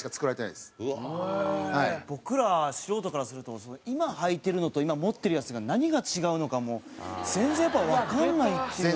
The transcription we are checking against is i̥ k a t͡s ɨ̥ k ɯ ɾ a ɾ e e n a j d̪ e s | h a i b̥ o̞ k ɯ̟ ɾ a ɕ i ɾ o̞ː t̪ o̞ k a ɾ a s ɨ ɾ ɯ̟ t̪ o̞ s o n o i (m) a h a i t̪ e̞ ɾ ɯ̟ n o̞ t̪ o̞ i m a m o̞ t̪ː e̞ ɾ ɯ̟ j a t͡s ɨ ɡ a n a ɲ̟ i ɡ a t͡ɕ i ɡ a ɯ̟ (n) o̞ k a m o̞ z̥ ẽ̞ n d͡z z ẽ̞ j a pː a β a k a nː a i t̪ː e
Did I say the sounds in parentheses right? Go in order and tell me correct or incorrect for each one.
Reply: correct, correct

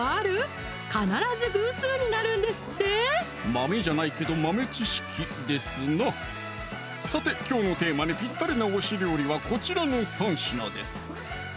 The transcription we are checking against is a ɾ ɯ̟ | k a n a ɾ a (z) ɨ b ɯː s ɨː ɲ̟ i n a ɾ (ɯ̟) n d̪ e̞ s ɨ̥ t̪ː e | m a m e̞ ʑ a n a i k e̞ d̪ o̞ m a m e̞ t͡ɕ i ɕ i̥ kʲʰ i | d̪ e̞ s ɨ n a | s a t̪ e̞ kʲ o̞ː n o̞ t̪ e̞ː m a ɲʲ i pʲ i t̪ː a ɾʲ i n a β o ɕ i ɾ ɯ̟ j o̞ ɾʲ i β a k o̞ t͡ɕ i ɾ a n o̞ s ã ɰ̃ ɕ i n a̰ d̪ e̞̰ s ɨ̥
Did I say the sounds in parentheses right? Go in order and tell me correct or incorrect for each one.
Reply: correct, incorrect: ɯ̟̃

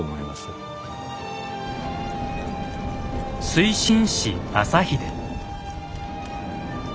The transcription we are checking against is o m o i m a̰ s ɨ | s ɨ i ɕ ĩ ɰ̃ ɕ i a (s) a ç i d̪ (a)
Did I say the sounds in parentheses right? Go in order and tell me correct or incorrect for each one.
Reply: correct, incorrect: e

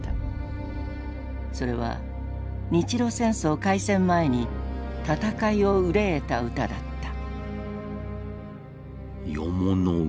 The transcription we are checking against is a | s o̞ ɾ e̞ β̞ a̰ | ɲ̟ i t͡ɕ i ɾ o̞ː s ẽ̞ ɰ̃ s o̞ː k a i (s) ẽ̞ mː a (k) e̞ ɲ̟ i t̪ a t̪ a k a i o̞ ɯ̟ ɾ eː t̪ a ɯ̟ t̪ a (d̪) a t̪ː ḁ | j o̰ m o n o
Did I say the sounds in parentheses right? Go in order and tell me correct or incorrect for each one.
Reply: correct, incorrect: none, correct

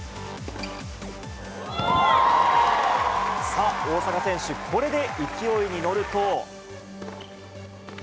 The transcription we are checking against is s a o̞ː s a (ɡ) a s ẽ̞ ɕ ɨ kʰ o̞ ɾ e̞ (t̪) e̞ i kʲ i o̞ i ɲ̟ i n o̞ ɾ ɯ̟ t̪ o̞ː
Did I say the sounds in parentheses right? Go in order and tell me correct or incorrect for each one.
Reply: incorrect: k, incorrect: d̪

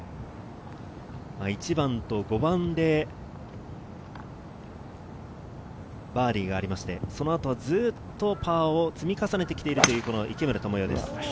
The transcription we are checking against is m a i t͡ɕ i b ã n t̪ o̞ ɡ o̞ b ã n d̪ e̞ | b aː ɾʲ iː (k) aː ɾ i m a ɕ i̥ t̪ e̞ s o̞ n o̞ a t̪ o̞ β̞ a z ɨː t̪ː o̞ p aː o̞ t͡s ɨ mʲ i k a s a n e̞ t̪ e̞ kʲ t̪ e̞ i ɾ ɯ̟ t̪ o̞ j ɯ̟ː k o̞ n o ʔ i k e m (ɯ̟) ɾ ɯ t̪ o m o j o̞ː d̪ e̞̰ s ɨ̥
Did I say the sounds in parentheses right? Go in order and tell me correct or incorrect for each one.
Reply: incorrect: ɡ, correct

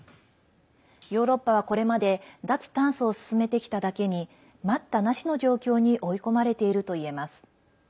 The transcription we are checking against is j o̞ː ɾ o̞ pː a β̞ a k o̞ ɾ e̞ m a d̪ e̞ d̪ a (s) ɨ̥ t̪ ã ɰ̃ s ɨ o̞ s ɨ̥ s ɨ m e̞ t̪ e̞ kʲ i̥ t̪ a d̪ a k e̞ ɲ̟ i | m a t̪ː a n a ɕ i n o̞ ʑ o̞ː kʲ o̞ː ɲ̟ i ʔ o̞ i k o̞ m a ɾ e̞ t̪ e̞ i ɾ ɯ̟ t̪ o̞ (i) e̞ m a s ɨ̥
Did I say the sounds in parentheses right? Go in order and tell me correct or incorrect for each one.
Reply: incorrect: t͡s, correct

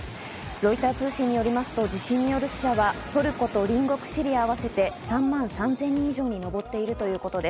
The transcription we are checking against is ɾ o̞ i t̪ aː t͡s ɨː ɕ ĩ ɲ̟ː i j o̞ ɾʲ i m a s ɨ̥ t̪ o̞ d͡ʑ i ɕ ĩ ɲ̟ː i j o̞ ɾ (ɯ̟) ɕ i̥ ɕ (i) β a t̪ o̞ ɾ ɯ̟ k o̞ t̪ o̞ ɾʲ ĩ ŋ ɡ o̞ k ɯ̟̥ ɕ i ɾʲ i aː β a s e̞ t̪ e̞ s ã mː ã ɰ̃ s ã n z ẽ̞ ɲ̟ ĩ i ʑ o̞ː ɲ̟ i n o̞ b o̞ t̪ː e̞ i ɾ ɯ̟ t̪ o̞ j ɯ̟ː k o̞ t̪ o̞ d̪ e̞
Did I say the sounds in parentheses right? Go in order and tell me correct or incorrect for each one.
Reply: correct, incorrect: a

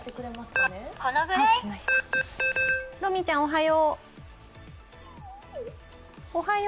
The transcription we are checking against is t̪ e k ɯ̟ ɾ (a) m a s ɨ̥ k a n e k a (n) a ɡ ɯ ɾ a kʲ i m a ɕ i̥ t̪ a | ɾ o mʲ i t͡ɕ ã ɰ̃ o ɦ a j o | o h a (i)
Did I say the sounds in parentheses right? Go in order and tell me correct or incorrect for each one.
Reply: incorrect: e, correct, incorrect: j

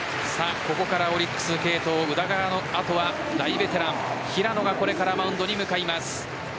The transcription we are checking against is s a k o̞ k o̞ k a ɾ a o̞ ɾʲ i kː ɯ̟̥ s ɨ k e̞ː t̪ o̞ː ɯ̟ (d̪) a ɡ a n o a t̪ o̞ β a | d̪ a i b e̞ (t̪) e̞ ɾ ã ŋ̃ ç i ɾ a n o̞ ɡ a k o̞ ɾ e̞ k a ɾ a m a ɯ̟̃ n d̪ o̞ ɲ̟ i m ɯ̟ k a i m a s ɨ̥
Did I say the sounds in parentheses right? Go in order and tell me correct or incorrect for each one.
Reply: correct, correct

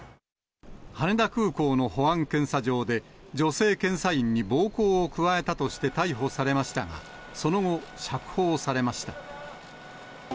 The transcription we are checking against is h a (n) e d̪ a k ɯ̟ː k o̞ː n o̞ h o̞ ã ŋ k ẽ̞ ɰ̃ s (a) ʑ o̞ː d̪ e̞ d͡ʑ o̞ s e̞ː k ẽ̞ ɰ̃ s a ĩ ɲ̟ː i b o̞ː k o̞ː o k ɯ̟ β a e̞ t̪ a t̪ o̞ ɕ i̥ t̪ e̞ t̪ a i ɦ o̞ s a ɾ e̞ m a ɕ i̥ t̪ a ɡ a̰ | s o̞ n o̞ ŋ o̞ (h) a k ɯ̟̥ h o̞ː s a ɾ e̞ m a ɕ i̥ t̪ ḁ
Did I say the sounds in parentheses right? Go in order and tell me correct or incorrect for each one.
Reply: correct, correct, incorrect: ɕ

